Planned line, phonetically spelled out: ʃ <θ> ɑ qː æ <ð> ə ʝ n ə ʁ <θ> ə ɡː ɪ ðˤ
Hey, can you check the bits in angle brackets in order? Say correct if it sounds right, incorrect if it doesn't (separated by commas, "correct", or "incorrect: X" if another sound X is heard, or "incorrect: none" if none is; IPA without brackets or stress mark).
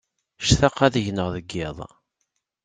correct, correct, incorrect: ð